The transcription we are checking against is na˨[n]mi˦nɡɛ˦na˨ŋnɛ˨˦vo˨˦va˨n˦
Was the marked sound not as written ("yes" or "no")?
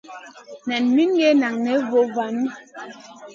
no